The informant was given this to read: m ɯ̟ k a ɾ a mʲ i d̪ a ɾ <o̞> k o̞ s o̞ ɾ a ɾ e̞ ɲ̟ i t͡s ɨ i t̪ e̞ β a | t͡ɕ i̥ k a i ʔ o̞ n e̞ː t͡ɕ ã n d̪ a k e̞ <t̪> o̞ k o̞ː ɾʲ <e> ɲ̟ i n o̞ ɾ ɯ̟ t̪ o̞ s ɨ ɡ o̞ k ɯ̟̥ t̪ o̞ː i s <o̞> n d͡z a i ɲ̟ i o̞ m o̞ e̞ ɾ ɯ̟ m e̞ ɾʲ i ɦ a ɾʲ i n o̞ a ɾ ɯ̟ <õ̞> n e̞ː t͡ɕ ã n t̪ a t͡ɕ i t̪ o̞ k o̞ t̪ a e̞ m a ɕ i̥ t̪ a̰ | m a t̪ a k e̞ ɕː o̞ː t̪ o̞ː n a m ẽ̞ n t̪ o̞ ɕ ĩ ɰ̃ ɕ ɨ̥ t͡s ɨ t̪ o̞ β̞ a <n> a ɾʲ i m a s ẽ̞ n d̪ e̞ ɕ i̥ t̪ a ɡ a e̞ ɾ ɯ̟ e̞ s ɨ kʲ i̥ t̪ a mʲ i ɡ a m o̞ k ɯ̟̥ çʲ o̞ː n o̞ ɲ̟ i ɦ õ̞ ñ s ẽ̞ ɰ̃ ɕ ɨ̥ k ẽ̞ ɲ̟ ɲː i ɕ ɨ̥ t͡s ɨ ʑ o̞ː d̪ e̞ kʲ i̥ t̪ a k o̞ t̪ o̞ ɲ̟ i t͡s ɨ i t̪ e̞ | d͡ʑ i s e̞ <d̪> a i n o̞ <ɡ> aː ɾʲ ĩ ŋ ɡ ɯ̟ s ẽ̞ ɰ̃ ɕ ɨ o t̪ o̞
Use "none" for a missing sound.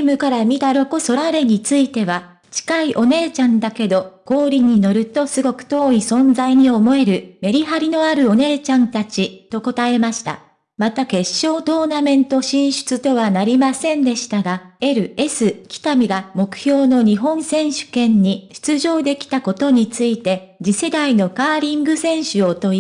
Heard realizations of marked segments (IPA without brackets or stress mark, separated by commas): o̞, d̪, i, õ̞, o̞, n, d̪, k